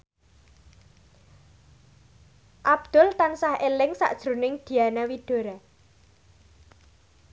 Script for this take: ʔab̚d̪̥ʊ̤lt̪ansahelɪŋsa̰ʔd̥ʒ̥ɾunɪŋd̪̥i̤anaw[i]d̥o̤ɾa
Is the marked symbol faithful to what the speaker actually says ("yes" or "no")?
yes